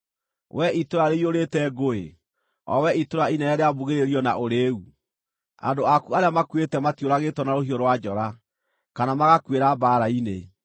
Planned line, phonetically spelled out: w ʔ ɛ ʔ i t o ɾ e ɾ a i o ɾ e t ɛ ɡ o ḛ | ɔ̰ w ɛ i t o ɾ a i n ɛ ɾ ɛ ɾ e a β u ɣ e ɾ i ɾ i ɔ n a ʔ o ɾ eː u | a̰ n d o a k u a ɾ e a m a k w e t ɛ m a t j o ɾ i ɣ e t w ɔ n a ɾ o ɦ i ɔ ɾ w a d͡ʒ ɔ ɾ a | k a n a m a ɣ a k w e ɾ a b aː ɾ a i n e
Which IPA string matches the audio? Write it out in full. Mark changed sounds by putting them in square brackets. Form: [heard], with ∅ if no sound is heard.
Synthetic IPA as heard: w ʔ ɛ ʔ i t o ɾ [a] ɾ [e] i o ɾ e t ɛ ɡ o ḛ | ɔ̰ w ɛ i t o ɾ a i n ɛ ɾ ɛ ɾ e a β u ɣ e ɾ [e] ɾ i ɔ n a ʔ o ɾ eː u | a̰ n d o a k u a ɾ e a m a k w e t ɛ m a t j o ɾ [a] ɣ e t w ɔ n a ɾ o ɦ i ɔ ɾ w a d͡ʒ ɔ ɾ a | k a n a m a ɣ a k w e ɾ a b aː ɾ a i n e